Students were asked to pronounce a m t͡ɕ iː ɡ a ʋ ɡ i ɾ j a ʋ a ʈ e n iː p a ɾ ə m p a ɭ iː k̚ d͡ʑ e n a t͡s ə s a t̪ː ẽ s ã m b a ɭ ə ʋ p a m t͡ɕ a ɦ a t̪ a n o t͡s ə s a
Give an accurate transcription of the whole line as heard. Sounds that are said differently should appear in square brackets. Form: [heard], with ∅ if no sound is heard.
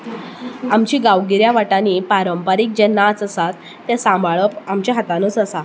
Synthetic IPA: a m t͡ɕ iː ɡ a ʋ ɡ i ɾ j a ʋ a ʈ [a] n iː p a ɾ ə m p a [ɾ] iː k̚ d͡ʑ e n a t͡s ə s a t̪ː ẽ s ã m b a ɭ ə [∅] p a m t͡ɕ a ɦ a t̪ a n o t͡s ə s a